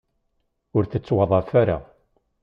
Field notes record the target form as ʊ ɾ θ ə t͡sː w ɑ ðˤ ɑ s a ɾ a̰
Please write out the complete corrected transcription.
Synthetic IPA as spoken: ʊ ɾ θ ə t͡sː w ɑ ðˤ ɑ f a ɾ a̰

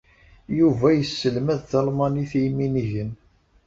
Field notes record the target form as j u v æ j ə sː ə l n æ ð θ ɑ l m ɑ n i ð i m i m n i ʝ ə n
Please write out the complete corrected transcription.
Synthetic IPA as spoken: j u v æ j ə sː ə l m æ ð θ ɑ l m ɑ n i θ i m i n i ʝ ə n

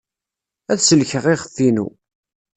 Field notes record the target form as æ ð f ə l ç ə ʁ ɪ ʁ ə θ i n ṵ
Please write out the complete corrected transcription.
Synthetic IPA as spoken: æ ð s ə l ç ə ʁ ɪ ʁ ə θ i n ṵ

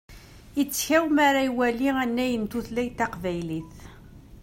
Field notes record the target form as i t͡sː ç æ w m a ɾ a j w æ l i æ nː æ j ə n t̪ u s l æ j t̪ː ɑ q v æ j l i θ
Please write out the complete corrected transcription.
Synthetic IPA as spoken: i t͡sː ç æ w m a ɾ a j w æ l i æ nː æ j ə n t̪ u θ l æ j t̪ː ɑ q v æ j l i θ

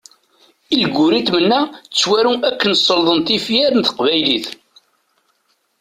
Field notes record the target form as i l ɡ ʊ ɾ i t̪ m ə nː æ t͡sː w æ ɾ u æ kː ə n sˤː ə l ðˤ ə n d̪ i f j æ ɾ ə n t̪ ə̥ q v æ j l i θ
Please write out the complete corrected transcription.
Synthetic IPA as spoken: i l ɡ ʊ ɾ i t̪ m ə nː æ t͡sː w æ ɾ u æ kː ə n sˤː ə l ðˤ ə n t̪ i f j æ ɾ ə n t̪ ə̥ q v æ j l i θ

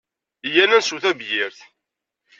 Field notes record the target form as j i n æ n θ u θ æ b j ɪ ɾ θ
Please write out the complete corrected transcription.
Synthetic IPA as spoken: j æ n æ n s u θ æ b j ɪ ɾ θ

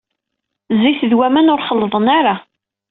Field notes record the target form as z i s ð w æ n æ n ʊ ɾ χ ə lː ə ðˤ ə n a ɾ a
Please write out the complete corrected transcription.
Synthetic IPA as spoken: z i θ ð w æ m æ n ʊ ɾ χ ə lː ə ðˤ ə n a ɾ a

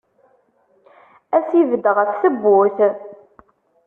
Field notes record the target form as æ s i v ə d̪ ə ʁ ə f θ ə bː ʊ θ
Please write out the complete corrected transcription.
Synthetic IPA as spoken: æ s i v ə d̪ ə ʁ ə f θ ə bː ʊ θ

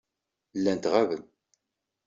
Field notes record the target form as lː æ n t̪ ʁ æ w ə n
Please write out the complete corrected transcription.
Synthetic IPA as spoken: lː æ n t̪ ʁ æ v ə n

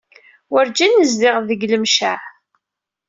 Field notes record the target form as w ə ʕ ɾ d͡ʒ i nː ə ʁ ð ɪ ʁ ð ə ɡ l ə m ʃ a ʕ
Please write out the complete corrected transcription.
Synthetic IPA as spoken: w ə ɾ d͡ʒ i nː ə z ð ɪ ʁ ð ə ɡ l ə m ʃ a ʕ

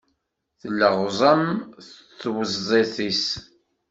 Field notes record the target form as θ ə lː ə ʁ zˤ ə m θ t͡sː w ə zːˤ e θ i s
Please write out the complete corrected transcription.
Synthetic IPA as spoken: θ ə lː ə ʁ zˤ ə m θ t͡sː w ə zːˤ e θ i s

